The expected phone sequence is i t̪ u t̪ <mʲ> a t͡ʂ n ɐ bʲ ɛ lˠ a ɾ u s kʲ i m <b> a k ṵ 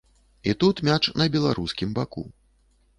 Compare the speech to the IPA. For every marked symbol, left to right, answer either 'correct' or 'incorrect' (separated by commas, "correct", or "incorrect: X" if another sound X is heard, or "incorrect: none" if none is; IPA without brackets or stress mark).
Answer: correct, correct